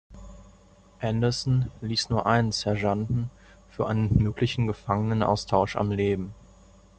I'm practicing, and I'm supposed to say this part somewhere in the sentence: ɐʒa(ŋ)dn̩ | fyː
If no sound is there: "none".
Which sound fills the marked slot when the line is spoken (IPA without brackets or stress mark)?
n